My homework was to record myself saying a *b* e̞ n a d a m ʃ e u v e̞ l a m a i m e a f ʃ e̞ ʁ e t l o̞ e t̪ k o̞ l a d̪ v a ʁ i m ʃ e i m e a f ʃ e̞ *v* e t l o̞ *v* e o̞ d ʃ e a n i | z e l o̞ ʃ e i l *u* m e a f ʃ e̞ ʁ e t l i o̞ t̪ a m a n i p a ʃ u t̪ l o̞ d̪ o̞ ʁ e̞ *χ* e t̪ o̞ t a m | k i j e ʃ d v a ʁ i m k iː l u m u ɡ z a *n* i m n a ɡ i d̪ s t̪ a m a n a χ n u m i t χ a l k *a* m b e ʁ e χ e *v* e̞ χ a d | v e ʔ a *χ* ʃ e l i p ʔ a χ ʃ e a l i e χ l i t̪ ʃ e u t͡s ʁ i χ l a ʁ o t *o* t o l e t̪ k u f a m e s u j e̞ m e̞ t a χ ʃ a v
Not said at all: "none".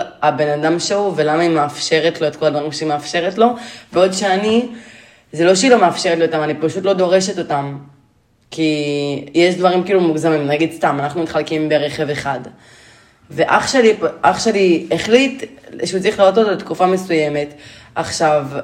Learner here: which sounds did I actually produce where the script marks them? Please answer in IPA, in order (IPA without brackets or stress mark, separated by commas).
b, ʁ, v, o, ʃ, m, i, v, χ, o